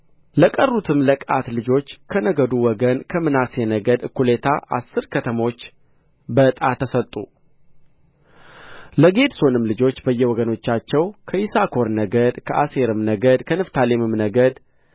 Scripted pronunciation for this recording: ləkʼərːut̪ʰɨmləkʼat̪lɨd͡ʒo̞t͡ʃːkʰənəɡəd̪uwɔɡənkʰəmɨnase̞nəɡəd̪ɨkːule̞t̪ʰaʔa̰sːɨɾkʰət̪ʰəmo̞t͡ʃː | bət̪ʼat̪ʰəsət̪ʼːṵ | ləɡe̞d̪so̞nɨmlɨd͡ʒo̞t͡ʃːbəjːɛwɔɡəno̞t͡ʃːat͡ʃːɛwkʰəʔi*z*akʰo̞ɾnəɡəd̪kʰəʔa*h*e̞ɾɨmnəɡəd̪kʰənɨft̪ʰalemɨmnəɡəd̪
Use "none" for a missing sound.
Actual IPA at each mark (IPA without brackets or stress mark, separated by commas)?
s, s